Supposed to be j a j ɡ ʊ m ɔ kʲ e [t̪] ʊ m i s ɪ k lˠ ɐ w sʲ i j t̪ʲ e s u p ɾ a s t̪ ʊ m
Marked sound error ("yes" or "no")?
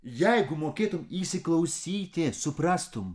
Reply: no